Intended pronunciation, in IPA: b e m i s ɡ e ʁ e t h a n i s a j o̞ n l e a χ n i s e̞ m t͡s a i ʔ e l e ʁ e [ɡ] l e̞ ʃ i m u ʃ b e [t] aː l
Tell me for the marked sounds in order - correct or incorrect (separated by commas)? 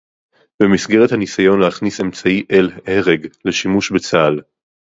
correct, incorrect